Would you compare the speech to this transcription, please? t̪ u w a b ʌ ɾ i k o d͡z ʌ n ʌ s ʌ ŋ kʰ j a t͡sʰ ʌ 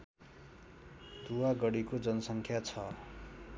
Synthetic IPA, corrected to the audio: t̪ u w a ɡ ʌ ɽ i k o d͡z ʌ n ʌ s ʌ ŋ kʰ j a t͡sʰ ʌ